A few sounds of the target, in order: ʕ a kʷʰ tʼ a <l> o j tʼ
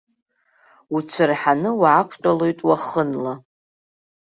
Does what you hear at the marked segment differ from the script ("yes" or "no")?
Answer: no